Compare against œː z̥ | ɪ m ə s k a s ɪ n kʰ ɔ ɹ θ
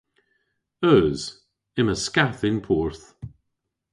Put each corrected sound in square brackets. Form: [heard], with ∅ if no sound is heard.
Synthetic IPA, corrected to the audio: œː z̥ | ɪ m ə s k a [θ] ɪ n [pʰ] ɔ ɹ θ

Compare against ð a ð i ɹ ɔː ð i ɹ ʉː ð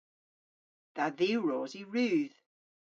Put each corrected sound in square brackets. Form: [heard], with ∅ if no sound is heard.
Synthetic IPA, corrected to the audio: ð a ð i ɹ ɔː [z] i ɹ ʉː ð

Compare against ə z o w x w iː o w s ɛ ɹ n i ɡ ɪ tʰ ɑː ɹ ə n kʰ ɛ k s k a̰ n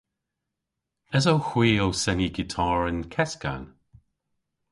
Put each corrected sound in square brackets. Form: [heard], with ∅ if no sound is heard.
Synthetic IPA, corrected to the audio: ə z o w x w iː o w s ɛ [∅] n i ɡ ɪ tʰ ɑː ɹ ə n kʰ ɛ [∅] s k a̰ n

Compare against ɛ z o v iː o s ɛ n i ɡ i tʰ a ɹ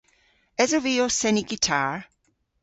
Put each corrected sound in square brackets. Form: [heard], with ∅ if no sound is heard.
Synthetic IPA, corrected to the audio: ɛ z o v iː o s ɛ n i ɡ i tʰ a ɹ

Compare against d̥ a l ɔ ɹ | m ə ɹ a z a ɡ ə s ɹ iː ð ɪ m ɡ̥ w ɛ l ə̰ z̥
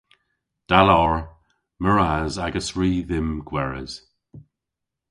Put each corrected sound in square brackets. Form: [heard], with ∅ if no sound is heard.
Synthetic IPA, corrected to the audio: d̥ a l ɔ ɹ | m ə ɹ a z a ɡ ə s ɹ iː ð ɪ m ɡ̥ w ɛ [ɹ] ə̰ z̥

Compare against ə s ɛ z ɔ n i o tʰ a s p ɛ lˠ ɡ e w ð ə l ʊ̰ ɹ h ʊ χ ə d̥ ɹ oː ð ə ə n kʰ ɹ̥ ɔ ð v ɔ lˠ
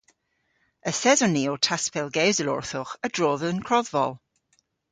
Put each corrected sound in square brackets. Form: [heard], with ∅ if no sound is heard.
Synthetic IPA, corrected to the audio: ə s ɛ z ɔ n i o tʰ a s p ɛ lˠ ɡ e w [z] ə l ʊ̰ ɹ [θ] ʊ χ ə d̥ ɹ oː ð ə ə n kʰ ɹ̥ ɔ ð v ɔ lˠ

